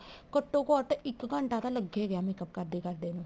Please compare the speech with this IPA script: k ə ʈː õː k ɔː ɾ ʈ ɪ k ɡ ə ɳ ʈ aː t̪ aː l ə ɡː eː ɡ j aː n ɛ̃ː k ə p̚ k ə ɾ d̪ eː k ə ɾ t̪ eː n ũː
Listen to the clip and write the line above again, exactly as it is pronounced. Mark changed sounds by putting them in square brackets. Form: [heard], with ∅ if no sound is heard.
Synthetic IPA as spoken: k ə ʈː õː k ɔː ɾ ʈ ɪ k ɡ ə ɳ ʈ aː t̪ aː l ə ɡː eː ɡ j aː [m] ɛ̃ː k ə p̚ k ə ɾ d̪ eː k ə ɾ [d̪] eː n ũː

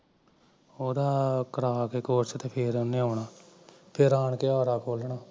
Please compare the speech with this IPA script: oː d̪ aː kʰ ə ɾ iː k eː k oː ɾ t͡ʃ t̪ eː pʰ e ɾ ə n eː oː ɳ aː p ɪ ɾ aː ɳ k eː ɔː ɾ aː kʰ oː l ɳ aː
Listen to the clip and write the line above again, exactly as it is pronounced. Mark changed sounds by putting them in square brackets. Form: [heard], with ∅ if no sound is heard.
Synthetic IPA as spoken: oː d̪ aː [k] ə ɾ [aː] k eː k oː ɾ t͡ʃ t̪ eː pʰ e ɾ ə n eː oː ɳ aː [pʰ] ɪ ɾ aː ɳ k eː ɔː ɾ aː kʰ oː l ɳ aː

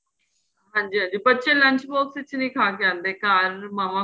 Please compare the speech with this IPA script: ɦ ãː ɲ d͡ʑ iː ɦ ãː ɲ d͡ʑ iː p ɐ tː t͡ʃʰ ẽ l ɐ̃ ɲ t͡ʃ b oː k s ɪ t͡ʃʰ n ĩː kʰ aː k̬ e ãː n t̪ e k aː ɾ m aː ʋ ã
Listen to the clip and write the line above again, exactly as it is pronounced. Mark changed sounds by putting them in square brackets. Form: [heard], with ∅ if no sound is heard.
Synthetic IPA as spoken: ɦ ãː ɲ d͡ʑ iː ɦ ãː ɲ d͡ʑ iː p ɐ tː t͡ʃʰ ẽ l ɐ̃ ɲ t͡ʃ b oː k s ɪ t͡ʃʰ n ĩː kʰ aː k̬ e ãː n [d̪] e k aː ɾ m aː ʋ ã

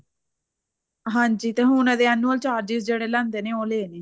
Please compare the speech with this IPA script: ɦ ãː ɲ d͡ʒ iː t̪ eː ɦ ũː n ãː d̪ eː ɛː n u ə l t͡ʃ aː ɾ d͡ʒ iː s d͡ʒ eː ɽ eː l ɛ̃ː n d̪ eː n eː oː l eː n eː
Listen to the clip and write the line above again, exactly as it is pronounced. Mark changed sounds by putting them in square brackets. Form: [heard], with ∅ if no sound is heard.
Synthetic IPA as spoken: ɦ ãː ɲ d͡ʒ iː t̪ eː ɦ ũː n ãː d̪ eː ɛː n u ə l t͡ʃ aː ɾ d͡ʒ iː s d͡ʒ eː ɽ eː l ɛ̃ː n d̪ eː n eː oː l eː n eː

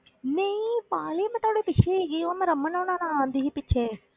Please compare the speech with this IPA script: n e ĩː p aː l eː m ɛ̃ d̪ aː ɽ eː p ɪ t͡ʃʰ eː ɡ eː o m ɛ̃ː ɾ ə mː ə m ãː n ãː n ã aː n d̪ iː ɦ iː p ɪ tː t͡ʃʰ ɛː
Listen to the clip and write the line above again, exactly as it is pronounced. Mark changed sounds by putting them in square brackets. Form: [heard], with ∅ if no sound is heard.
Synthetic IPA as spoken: n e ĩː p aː l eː m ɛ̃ [t̪] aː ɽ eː p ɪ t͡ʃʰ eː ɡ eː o m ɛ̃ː ɾ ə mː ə [n] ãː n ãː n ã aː n d̪ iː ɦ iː p ɪ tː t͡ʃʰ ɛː

